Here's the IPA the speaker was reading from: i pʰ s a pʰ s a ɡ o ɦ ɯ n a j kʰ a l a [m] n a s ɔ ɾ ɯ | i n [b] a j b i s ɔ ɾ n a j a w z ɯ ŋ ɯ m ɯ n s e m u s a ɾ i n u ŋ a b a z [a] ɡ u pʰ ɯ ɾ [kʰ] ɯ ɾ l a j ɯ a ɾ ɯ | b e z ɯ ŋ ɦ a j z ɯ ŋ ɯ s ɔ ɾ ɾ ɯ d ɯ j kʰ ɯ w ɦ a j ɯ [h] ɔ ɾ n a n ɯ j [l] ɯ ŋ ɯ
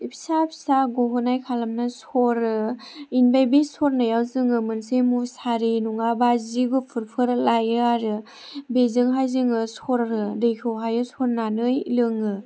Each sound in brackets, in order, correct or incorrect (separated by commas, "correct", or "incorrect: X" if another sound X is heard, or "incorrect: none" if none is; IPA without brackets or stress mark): correct, correct, incorrect: i, incorrect: pʰ, incorrect: s, correct